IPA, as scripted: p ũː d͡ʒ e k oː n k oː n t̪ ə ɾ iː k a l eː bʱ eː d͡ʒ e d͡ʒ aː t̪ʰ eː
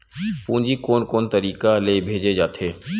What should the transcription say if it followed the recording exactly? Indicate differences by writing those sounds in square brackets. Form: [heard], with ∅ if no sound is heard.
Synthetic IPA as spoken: p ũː d͡ʒ [i] k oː n k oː n t̪ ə ɾ iː k a l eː bʱ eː d͡ʒ e d͡ʒ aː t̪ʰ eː